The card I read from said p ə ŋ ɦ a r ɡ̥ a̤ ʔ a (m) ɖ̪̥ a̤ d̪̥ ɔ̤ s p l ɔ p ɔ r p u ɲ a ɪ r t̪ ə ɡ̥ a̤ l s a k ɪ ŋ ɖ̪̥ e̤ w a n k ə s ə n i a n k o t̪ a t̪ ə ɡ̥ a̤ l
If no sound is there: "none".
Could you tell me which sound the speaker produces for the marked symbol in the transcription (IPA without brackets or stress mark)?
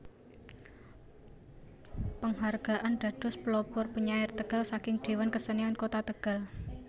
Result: n